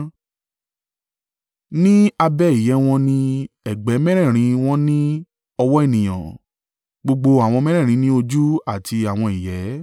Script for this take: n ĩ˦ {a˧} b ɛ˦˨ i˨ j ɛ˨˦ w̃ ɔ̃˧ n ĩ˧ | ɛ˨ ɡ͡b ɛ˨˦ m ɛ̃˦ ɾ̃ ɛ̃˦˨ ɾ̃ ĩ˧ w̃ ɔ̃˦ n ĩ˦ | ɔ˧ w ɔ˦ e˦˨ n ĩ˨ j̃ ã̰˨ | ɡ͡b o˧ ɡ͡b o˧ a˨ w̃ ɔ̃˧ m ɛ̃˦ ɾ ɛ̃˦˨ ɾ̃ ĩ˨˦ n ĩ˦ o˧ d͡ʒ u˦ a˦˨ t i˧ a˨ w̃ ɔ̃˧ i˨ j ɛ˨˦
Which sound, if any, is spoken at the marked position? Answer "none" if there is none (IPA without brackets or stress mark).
a˧